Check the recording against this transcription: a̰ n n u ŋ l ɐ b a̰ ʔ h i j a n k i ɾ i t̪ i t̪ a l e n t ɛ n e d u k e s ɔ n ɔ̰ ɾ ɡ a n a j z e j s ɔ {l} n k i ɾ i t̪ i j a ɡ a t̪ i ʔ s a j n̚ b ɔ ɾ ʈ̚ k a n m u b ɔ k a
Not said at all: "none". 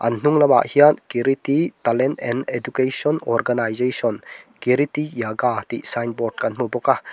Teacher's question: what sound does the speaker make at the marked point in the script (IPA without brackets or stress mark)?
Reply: none